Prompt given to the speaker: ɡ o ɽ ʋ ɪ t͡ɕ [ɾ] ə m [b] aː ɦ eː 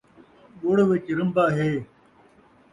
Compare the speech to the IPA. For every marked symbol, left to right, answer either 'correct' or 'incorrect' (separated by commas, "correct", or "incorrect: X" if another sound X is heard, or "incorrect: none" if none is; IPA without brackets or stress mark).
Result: correct, correct